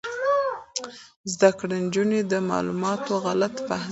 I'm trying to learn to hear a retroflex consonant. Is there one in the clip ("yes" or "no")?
yes